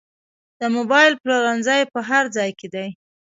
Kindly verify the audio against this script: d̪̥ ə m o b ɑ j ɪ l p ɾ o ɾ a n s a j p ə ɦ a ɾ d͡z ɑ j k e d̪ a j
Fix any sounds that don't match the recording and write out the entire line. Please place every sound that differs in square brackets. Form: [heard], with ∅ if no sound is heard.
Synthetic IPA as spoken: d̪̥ ə m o b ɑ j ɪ l p [l] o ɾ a n [z] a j p ə ɦ a ɾ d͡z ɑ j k e d̪ a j